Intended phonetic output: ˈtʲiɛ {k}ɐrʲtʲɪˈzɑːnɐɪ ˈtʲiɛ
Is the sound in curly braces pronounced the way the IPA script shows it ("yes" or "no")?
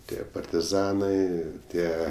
no